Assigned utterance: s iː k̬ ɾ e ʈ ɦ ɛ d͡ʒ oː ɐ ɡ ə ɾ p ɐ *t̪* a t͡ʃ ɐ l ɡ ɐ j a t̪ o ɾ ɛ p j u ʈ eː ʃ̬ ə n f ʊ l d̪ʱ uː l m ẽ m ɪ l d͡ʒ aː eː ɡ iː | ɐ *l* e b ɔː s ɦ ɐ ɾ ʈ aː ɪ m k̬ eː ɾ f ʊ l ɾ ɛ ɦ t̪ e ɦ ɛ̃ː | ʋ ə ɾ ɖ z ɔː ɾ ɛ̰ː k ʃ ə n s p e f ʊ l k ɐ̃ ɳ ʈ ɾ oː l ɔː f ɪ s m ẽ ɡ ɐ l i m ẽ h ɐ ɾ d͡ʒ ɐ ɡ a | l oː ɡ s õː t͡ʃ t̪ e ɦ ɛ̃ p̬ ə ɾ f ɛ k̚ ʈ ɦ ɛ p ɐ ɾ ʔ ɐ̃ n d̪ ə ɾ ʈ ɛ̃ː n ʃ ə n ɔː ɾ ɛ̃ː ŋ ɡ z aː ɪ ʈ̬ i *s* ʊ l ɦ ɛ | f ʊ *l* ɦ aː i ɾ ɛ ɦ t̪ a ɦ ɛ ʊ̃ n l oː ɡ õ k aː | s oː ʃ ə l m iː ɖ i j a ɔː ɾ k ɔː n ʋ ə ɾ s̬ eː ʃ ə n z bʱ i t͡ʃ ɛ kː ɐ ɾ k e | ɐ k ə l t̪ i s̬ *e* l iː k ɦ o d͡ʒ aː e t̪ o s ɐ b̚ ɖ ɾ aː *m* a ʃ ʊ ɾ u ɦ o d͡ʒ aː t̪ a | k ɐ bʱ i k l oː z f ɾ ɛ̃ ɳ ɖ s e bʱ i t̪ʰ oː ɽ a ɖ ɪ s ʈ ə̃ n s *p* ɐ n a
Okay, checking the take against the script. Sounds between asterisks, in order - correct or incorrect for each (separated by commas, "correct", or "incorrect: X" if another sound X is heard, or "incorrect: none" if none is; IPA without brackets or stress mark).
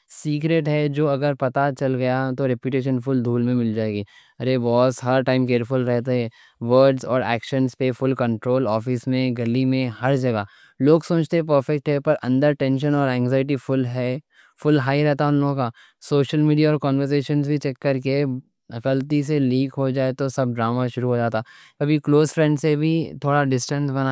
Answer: correct, incorrect: ɾ, incorrect: f, correct, correct, correct, incorrect: b